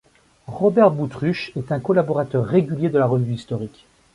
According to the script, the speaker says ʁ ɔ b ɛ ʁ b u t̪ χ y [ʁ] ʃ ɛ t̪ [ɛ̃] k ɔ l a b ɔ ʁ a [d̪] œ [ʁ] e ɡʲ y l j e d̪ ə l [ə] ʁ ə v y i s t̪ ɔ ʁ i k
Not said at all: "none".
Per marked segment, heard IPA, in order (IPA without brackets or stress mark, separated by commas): none, ɛ̃, t̪, ʁː, a